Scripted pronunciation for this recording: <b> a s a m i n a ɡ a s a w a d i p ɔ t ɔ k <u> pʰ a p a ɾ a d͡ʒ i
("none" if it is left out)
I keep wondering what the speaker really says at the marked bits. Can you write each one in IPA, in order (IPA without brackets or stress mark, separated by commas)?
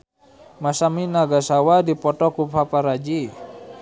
m, u